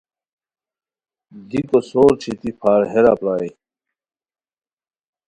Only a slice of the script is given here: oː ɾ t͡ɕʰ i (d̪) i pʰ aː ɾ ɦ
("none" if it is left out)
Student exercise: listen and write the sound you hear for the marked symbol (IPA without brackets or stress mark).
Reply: t̪